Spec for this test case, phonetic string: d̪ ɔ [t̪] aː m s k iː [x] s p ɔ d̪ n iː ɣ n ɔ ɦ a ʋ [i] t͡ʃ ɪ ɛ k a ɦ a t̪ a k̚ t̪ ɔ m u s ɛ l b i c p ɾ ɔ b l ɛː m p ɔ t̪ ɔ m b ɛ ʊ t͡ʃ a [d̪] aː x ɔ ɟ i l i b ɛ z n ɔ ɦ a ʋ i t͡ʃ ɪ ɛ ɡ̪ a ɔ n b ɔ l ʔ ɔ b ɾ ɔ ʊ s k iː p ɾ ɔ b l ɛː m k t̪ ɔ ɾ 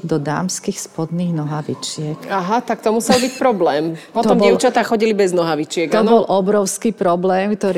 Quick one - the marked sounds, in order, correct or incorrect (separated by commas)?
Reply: incorrect, correct, correct, incorrect